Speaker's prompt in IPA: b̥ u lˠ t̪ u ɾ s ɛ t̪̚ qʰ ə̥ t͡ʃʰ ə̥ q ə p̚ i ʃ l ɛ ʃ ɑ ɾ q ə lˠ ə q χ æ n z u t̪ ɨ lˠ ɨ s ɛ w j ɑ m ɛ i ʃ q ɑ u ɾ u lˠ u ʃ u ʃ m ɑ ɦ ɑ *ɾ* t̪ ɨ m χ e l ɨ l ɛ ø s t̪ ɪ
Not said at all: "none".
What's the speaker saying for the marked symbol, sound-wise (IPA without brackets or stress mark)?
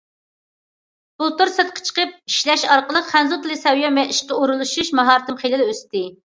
ɾ